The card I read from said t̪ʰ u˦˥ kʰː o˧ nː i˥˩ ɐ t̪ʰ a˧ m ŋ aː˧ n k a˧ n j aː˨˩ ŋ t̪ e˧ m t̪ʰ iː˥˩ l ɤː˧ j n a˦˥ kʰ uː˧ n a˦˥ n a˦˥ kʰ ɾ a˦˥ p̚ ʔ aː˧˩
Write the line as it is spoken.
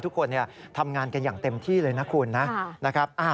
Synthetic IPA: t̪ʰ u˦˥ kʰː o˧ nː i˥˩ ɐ t̪ʰ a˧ m ŋ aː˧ n k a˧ n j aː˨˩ ŋ t̪ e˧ m t̪ʰ iː˥˩ l ɤː˧ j n a˦˥ kʰ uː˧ nː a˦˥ n a˦˥ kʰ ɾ a˦˥ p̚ ʔ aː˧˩